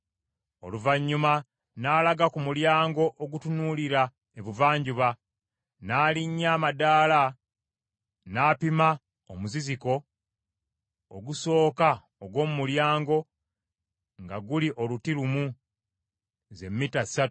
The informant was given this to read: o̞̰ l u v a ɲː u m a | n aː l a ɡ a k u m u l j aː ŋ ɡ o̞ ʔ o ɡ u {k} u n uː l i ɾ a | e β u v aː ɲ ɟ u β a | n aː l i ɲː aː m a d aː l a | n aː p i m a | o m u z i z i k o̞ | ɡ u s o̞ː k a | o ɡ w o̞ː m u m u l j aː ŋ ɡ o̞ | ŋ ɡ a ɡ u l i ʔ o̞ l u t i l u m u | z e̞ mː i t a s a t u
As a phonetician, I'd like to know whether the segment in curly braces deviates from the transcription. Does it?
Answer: yes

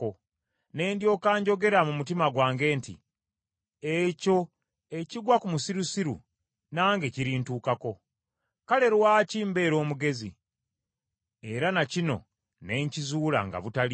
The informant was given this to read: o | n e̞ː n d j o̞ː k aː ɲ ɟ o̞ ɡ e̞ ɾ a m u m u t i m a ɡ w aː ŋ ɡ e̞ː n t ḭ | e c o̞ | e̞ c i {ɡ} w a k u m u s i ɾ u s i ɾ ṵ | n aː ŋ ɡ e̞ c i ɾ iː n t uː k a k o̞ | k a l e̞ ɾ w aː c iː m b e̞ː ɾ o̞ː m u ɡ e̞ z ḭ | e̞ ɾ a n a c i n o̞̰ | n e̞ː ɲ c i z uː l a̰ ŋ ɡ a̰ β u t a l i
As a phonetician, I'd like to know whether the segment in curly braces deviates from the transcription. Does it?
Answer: no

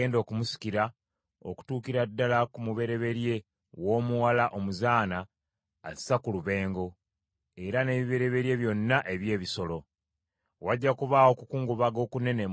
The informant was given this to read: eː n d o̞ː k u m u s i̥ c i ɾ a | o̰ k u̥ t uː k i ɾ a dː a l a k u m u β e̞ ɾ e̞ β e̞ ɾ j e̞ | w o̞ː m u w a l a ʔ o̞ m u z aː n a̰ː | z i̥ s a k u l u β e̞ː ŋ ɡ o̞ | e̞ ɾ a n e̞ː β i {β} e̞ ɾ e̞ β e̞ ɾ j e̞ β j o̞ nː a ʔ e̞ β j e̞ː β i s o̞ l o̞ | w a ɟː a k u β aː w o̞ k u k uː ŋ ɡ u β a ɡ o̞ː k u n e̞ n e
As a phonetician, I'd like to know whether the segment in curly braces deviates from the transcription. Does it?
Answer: no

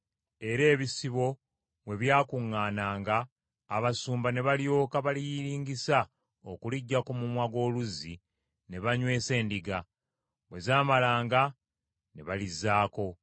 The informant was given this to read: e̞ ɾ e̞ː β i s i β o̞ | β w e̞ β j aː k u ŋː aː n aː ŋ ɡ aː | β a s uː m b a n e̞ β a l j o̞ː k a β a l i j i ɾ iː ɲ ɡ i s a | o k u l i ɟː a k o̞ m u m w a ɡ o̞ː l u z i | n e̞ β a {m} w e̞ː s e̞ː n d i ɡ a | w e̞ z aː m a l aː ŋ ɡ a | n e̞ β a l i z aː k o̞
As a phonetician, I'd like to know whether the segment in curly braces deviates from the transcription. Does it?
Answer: yes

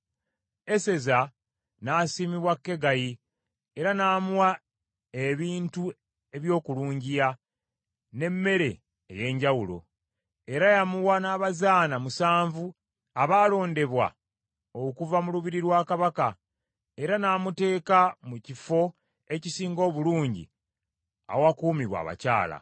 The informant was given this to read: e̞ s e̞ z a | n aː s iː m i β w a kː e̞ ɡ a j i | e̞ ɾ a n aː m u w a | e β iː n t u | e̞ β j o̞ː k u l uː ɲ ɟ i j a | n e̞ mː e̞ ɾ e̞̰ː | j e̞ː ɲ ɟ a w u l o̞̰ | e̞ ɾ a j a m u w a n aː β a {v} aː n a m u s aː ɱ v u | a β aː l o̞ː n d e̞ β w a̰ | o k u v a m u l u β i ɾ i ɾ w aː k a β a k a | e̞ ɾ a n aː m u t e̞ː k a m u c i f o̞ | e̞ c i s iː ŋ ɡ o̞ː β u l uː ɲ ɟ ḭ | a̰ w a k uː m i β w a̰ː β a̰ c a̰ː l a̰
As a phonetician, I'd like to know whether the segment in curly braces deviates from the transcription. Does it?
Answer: yes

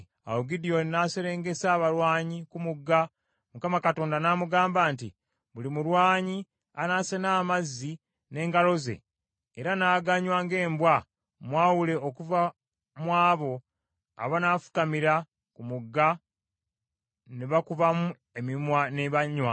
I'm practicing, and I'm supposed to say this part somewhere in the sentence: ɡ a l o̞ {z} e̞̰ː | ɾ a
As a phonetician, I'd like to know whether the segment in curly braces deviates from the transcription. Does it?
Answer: no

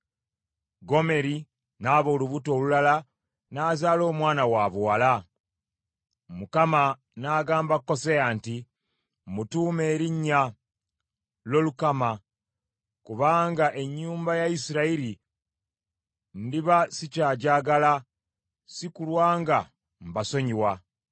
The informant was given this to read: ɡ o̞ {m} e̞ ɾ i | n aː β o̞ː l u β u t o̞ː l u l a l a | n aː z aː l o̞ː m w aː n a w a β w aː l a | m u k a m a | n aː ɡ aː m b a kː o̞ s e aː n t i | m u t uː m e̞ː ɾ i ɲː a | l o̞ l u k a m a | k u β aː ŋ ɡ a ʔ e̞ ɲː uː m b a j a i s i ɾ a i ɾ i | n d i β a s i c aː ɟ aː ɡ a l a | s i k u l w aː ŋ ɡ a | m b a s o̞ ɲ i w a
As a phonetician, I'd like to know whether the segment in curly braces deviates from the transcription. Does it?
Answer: no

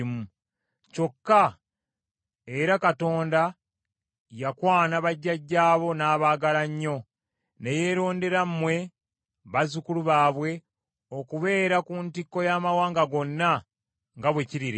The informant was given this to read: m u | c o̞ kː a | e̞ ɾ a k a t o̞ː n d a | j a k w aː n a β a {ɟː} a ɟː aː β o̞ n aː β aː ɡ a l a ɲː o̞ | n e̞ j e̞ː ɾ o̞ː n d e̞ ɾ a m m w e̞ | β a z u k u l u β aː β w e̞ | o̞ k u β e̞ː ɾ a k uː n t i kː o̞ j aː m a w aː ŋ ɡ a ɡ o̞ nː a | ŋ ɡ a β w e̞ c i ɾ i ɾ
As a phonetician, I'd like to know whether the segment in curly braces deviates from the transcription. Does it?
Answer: no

